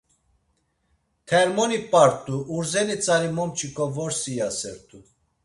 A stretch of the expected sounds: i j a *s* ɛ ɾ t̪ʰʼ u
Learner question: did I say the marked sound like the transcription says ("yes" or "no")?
yes